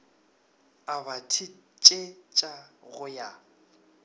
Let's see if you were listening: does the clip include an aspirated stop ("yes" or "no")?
yes